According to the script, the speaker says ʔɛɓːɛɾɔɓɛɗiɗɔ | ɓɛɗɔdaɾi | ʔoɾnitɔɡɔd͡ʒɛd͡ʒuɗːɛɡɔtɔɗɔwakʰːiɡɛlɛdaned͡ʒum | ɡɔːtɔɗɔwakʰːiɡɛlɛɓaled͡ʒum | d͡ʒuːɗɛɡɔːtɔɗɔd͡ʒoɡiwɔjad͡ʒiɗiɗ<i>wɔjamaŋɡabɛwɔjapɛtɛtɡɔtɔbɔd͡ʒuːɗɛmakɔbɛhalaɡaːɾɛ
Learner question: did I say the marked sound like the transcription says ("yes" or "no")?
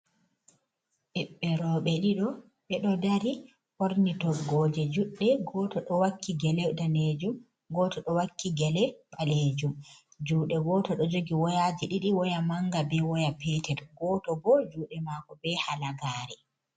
yes